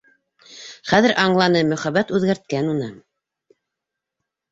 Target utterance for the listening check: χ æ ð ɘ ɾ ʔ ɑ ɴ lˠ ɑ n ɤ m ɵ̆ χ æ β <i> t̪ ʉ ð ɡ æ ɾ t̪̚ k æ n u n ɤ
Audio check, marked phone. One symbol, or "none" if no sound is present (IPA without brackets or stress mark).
æ